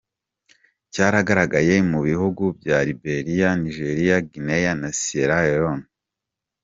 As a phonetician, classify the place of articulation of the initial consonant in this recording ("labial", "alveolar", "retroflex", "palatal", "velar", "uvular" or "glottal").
palatal